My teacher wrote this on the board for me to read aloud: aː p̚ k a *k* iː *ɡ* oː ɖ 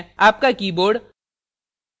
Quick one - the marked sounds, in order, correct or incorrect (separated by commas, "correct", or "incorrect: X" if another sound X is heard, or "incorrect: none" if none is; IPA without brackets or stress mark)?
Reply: correct, incorrect: b